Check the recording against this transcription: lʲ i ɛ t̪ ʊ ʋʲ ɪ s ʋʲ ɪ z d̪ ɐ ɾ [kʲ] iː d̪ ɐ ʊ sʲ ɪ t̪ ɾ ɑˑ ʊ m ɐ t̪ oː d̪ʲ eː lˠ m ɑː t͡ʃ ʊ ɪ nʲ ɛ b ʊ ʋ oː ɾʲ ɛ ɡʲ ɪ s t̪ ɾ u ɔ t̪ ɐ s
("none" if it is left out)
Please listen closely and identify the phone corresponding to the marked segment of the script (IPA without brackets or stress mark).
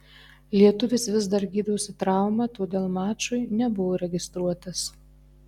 ɡʲ